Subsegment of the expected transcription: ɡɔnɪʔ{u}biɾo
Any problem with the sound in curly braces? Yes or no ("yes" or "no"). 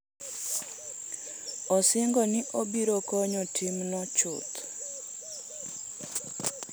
yes